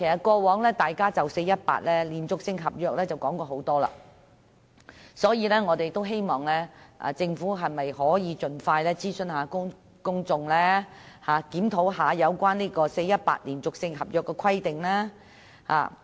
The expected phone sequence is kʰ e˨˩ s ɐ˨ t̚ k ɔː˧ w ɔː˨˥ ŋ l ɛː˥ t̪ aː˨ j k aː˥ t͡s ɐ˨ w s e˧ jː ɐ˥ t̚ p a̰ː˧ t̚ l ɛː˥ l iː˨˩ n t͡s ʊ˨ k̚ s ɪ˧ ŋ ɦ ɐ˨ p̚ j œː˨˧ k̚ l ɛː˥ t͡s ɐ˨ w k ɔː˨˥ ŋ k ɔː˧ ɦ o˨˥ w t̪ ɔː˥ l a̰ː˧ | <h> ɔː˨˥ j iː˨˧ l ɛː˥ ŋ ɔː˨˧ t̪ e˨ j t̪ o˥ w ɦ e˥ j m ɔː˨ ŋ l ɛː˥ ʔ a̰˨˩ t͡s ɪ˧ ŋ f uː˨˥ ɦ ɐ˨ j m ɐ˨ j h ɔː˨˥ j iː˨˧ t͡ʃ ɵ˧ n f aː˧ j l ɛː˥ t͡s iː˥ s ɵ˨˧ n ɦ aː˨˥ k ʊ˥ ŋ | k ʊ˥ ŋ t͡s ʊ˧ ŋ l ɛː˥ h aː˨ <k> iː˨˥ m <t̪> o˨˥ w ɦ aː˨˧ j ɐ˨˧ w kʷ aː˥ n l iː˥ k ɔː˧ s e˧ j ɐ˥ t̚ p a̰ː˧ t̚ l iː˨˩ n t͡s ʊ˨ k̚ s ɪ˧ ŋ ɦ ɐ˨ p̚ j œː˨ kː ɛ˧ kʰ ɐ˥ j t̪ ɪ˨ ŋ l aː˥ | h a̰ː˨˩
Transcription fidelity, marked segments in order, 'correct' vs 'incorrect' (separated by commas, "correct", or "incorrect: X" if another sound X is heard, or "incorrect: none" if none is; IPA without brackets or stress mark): incorrect: s, correct, incorrect: t̪ʰ